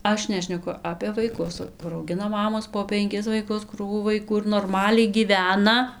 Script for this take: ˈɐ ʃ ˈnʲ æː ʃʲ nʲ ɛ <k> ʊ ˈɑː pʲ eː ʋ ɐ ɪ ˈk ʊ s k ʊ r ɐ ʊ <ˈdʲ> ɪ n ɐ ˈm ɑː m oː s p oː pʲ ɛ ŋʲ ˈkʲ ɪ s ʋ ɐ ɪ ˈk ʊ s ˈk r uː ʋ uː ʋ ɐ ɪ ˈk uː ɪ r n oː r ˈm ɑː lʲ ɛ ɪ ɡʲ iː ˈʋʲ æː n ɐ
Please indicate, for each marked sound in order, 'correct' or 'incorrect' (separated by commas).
correct, incorrect